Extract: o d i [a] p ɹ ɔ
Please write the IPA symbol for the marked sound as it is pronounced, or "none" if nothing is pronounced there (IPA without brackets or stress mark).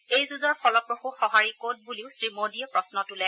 ɛ